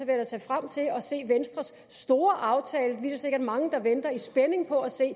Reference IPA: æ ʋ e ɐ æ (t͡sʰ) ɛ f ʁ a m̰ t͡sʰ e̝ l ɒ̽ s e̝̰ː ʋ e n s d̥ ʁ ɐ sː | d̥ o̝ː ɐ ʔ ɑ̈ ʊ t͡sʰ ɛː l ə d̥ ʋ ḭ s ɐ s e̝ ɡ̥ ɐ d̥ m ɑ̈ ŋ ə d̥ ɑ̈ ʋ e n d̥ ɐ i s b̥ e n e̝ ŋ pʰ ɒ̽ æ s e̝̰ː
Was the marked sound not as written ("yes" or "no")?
no